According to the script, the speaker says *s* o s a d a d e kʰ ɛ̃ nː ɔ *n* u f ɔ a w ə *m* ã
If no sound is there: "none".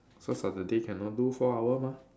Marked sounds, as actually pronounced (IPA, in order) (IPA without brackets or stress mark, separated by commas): s, d, m